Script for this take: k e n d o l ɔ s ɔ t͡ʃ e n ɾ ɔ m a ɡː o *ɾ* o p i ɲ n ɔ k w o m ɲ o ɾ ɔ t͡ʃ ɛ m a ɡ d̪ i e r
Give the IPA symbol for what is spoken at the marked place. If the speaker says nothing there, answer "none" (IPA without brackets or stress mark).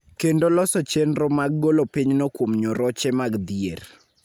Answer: l